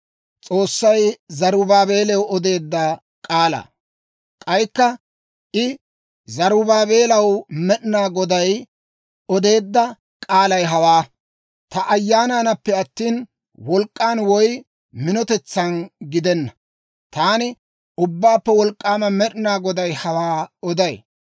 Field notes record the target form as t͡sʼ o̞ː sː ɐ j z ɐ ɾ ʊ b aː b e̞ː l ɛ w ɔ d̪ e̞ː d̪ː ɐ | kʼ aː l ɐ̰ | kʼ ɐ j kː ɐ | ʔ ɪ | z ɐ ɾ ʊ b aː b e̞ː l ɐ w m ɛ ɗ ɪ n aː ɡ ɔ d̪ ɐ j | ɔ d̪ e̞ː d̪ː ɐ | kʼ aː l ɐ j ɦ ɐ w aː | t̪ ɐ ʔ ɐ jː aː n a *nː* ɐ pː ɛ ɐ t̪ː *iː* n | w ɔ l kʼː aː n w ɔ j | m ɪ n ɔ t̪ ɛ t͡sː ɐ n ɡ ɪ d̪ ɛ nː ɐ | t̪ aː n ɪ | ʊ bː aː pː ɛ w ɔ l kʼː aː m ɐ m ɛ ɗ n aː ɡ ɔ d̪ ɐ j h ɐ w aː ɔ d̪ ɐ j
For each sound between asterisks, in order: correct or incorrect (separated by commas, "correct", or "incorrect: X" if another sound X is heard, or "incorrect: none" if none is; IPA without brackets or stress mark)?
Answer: incorrect: n, correct